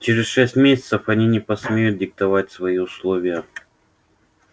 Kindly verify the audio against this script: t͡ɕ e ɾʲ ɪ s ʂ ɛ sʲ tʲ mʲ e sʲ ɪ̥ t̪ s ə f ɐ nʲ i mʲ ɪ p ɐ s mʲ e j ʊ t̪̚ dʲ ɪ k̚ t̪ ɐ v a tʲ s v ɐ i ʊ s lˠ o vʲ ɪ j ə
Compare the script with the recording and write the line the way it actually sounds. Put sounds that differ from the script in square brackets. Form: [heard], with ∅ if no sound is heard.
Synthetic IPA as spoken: t͡ɕ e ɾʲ ɪ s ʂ ɛ sʲ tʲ mʲ e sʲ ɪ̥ t̪ s ə f ɐ nʲ i [nʲ] ɪ p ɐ s mʲ e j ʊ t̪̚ dʲ ɪ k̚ t̪ ɐ v a tʲ s v ɐ i ʊ s lˠ o vʲ ɪ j ə